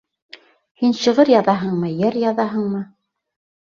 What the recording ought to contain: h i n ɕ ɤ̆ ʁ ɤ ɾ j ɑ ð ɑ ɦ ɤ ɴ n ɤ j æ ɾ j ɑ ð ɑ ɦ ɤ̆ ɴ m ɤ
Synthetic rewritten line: h i n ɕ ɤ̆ ʁ ɤ ɾ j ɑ ð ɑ ɦ ɤ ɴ m ɤ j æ ɾ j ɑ ð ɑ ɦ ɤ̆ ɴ m ɤ